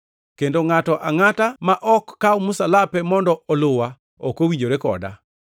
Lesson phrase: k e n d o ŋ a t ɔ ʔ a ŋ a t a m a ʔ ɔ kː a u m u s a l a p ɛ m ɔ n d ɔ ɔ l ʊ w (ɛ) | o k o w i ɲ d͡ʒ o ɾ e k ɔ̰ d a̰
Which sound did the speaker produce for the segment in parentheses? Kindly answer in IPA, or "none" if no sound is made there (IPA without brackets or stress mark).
a